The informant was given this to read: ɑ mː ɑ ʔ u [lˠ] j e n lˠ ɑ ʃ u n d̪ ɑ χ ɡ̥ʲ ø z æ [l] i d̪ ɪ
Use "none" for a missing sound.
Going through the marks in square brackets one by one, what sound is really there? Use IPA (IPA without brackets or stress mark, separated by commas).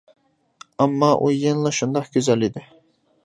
none, l